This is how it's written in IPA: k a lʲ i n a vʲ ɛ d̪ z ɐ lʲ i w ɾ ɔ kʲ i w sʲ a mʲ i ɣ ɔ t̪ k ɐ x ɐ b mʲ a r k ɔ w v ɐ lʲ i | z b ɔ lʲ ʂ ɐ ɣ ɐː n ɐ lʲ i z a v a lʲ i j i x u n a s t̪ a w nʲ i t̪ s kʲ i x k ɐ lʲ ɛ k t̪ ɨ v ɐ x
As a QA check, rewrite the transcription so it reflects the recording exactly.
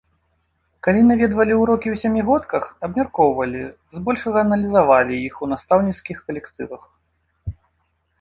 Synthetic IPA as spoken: k a lʲ i n a vʲ ɛ d̪ v ɐ lʲ i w ɾ ɔ kʲ i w sʲ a mʲ i ɣ ɔ t̪ k ɐ x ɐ b mʲ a r k ɔ w v ɐ lʲ i | z b ɔ lʲ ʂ ɐ ɣ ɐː n ɐ lʲ i z a v a lʲ i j i x u n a s t̪ a w nʲ i t̪ s kʲ i x k ɐ lʲ ɛ k t̪ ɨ v ɐ x

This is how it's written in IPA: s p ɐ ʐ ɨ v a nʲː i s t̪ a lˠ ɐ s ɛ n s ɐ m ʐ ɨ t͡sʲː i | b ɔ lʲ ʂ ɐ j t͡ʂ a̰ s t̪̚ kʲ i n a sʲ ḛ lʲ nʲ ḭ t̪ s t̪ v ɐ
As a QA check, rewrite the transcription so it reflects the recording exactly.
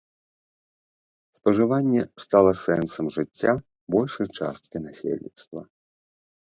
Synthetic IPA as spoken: s p ɐ ʐ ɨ v a nʲː ɛ s t̪ a lˠ ɐ s ɛ n s ɐ m ʐ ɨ t͡sʲː a | b ɔ lʲ ʂ ɐ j t͡ʂ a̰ s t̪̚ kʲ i n a sʲ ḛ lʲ nʲ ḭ t̪ s t̪ v ɐ

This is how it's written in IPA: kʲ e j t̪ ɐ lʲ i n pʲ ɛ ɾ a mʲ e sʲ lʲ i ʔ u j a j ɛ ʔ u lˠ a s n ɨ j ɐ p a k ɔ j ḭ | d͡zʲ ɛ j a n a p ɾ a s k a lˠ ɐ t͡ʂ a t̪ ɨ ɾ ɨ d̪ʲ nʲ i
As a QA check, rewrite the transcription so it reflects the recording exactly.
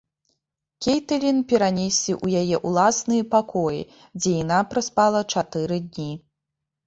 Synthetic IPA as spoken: kʲ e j t̪ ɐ lʲ i n pʲ ɛ ɾ a nʲ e sʲ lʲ i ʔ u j a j ɛ ʔ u lˠ a s n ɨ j ɐ p a k ɔ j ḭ | d͡zʲ ɛ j a n a p ɾ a s p a lˠ ɐ t͡ʂ a t̪ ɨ ɾ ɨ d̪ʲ nʲ i

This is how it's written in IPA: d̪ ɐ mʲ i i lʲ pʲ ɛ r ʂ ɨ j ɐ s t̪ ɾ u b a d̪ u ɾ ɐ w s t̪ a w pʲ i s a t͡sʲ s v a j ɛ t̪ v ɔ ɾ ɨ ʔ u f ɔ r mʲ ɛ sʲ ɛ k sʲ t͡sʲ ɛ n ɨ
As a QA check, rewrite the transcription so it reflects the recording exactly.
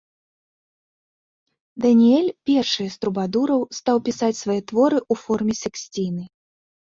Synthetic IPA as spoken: d̪ ɐ nʲ i ɛ lʲ pʲ ɛ r ʂ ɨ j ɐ s t̪ ɾ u b a d̪ u ɾ ɐ w s t̪ a w pʲ i s a t͡sʲ s v a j ɛ t̪ v ɔ ɾ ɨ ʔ u f ɔ r mʲ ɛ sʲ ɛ k sʲ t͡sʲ i n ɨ

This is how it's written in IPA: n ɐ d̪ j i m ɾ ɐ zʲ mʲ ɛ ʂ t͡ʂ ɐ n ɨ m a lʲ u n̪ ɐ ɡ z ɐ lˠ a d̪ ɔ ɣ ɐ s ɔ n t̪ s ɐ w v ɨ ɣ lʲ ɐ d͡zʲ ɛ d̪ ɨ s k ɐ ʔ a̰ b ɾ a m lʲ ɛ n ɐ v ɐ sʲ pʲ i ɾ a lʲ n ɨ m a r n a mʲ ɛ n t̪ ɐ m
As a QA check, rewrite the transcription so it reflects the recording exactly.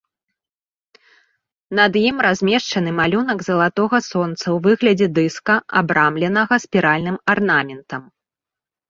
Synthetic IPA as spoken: n ɐ d̪ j i m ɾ a zʲ mʲ ɛ ʂ t͡ʂ ɐ n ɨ m a lʲ u n̪ ɐ ɡ z ɐ lˠ a t̪ ɔ ɣ ɐ s ɔ n t̪ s ɐ w v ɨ ɣ lʲ ɐ d͡zʲ ɛ d̪ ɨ s k ɐ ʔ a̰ b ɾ a m lʲ ɛ n ɐ ɣ ɐ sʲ pʲ i ɾ a lʲ n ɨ m a r n a mʲ ɛ n t̪ ɐ m

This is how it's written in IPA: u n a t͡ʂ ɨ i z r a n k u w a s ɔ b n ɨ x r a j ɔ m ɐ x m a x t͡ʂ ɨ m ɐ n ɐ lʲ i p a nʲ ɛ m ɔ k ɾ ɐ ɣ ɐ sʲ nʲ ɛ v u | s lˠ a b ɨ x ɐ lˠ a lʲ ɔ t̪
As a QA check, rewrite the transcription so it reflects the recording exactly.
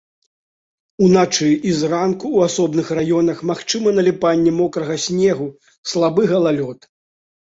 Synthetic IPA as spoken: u n a t͡ʂ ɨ i z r a n k u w a s ɔ b n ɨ x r a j ɔ n ɐ x m a x t͡ʂ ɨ m ɐ n ɐ lʲ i p a nʲː ɛ m ɔ k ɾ ɐ ɣ ɐ sʲ nʲ ɛ ɣ u | s lˠ a b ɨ ɣ ɐ lˠ a lʲ ɔ t̪

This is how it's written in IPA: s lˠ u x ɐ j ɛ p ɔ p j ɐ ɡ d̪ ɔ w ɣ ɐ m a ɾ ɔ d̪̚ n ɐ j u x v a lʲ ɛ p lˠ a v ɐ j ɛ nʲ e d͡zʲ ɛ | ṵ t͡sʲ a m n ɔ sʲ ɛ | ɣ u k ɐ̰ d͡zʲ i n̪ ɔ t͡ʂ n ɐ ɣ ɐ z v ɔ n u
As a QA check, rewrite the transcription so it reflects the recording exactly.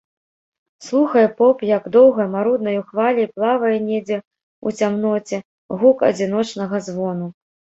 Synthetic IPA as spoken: s lˠ u x ɐ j ɛ p ɔ p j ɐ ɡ d̪ ɔ w ɣ ɐ m a ɾ u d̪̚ n ɐ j u x v a lʲ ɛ p lˠ a v ɐ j ɛ nʲ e d͡zʲ ɛ | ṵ t͡sʲ a m n ɔ t͡sʲ ɛ | ɣ u k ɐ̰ d͡zʲ i n̪ ɔ t͡ʂ n ɐ ɣ ɐ z v ɔ n u

